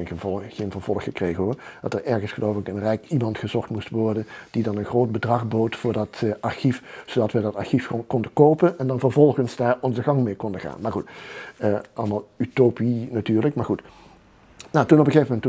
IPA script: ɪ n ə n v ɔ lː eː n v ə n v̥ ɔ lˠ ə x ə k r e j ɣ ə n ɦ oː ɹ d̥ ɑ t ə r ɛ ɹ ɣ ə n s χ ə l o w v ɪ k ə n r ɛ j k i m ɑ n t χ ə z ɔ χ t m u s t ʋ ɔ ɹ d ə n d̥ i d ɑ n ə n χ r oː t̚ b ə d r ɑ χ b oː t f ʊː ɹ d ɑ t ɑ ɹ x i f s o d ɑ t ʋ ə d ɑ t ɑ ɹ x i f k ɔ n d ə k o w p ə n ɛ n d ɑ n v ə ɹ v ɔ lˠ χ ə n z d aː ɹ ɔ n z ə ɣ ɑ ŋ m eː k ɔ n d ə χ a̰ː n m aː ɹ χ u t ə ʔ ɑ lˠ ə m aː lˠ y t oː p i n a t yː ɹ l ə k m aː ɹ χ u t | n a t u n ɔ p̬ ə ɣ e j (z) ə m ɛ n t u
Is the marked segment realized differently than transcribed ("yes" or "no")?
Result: yes